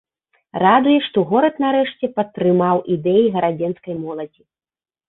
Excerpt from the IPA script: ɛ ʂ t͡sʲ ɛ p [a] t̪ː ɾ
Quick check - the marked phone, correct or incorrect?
incorrect